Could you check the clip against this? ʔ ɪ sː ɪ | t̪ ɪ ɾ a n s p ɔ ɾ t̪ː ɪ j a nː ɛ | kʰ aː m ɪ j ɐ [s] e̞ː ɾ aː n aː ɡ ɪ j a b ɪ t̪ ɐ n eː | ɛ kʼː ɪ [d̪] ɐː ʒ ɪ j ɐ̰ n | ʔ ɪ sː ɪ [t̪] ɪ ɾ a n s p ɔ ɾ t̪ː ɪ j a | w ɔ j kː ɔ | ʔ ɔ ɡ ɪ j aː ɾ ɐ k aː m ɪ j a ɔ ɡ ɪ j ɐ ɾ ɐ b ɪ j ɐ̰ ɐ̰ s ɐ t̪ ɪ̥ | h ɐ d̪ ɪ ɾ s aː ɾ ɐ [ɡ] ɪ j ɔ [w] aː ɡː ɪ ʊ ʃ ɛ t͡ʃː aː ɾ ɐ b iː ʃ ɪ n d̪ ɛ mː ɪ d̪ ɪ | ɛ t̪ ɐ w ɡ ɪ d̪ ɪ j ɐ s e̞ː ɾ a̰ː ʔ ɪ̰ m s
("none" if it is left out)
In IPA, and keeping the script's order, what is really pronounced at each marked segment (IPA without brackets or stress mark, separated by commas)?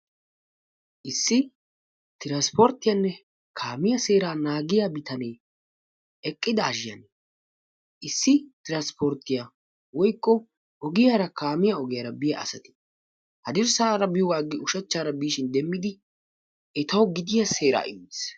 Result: s, d̪, t̪, b, w